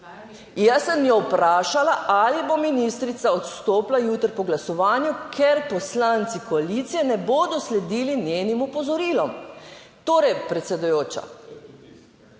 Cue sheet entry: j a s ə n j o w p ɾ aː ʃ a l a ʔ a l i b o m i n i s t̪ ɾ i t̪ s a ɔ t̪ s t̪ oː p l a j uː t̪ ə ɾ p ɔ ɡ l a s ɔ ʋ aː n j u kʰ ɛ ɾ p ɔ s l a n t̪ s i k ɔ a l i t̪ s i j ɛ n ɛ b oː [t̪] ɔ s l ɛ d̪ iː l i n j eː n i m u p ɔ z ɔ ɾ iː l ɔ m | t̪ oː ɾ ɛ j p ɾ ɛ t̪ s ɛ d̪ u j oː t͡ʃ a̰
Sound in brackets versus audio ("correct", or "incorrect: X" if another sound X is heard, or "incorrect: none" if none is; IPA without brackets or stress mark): incorrect: d̪